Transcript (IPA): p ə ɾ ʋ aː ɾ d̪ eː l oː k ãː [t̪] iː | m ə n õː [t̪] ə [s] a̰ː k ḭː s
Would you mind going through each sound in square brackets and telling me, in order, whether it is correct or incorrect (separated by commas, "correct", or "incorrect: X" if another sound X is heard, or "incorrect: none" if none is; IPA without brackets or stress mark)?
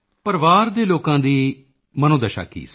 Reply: incorrect: d̪, incorrect: d̪, incorrect: ʃ